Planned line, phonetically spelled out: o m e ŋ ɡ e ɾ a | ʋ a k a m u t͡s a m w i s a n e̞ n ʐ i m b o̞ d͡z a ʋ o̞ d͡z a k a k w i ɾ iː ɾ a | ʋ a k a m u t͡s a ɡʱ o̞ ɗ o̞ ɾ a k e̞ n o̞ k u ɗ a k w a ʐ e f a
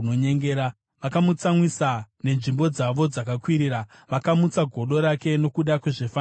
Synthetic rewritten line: o ɲ e ŋ ɡ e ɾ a | ʋ a k a m u t͡s a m w i s a n e̞ n ʐ i m b o̞ d͡z a ʋ o̞ d͡z a k a k w i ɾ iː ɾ a | ʋ a k a m u t͡s a ɡʱ o̞ ɗ o̞ ɾ a k e̞ n o̞ k u ɗ a k w e ʐ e f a